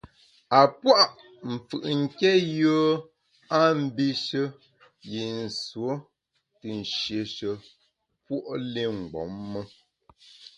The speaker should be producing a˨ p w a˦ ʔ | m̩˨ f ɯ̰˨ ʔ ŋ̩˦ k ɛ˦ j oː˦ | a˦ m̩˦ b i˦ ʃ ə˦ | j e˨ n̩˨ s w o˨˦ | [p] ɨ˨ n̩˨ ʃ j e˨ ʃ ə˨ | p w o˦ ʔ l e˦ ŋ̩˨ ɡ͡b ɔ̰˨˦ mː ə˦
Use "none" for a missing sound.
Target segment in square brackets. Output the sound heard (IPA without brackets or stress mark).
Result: t